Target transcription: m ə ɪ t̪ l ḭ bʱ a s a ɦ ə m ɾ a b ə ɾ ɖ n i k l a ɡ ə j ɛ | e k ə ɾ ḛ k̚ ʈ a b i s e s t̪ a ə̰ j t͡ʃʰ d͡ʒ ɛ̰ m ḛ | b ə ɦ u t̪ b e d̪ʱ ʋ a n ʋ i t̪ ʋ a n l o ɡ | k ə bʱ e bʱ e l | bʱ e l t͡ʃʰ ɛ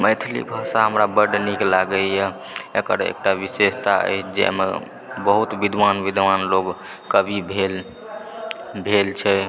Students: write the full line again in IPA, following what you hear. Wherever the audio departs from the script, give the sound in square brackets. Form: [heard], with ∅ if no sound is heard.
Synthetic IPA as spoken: m ə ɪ [t̪ʰ] l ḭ bʱ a s a ɦ ə m ɾ a b ə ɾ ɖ n i k l a ɡ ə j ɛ | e k ə ɾ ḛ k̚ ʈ a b i s e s t̪ a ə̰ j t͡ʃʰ d͡ʒ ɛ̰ m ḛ | b ə ɦ u t̪ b [i] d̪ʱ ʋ a n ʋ i [d̪] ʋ a n l o ɡ | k ə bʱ [i] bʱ e l | bʱ e l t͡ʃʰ ɛ